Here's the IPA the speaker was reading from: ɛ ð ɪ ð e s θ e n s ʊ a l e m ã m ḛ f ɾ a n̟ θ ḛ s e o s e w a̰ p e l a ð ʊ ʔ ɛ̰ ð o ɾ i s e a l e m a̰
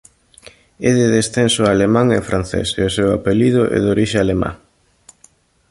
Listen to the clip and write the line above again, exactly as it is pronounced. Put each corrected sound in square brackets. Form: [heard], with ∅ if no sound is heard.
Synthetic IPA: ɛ ð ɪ ð e s θ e n s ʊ a l e m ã [ŋ] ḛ f ɾ a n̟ θ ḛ s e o s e w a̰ p e l [i] ð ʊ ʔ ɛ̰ ð o ɾ i [ʃ] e a l e m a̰